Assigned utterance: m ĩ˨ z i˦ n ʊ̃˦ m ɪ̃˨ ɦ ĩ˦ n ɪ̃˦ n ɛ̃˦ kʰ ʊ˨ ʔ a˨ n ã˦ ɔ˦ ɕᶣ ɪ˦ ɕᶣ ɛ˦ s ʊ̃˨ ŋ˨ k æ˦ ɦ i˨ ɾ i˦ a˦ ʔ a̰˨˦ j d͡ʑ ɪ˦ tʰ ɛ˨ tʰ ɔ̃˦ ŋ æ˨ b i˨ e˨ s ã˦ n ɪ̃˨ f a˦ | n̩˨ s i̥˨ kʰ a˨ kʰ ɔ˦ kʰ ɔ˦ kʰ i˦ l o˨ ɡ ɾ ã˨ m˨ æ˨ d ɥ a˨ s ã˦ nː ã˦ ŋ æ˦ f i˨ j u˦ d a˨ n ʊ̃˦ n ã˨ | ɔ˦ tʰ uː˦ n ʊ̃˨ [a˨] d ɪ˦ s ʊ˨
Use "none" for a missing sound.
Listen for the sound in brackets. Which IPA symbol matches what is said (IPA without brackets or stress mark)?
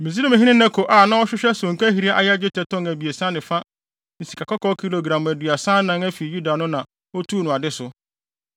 a˨